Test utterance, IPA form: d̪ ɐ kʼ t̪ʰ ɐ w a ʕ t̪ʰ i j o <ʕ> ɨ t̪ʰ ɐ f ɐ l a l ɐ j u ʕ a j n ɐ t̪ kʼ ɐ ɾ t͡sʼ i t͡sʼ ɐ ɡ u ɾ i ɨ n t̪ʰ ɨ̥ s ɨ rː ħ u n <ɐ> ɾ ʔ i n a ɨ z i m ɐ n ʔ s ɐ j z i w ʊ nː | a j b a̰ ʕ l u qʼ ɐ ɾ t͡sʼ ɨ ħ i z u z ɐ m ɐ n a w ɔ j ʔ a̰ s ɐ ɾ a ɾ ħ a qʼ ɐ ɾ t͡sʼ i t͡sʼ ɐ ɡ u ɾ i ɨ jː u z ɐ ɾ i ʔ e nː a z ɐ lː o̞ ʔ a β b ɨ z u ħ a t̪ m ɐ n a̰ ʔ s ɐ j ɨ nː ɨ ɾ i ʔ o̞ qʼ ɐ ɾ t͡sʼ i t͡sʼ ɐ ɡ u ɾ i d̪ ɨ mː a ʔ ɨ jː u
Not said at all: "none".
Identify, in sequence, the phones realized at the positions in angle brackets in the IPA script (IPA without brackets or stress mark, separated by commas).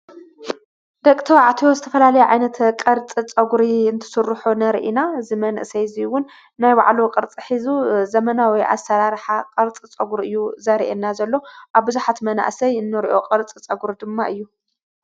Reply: z, ɐ